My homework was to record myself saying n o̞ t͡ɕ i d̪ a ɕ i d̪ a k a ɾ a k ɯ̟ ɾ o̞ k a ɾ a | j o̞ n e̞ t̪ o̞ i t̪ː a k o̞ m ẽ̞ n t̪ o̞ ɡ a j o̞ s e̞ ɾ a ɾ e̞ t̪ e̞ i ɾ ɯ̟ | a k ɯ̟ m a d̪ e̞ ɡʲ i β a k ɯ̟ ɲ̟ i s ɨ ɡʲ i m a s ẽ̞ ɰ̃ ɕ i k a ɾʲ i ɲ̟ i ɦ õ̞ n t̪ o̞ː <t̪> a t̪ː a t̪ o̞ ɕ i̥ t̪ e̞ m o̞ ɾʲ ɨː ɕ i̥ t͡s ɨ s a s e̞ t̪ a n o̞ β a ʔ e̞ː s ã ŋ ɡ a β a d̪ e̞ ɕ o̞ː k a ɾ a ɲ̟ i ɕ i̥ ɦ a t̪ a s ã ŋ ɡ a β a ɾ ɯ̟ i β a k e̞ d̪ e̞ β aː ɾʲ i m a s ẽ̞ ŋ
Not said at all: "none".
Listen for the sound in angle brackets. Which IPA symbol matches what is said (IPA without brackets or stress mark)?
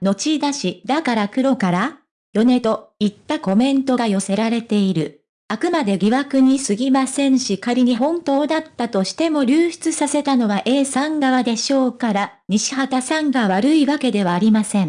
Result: d̪